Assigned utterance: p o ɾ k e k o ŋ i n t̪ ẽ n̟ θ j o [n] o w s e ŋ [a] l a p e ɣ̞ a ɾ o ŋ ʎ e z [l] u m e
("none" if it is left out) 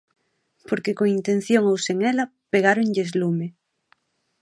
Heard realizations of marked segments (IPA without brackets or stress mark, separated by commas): ŋ, e, l